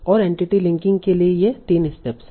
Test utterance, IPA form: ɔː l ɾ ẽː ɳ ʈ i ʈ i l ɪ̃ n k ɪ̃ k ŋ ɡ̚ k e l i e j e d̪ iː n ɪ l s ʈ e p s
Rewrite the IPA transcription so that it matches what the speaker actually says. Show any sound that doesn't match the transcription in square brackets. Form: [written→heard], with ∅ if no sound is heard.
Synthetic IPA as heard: ɔː [l→∅] ɾ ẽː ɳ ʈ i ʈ i l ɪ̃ [n→ŋ] k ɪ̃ [k→∅] ŋ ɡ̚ k e l i e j e [d̪→t̪] iː n ɪ [l→∅] s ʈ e p s